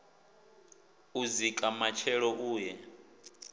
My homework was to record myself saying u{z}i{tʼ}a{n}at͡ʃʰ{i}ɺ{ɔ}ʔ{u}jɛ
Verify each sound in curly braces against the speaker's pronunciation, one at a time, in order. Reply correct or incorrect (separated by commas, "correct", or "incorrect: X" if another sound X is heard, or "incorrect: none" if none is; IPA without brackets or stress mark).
correct, incorrect: kʼ, incorrect: m, incorrect: ɛ, correct, incorrect: uː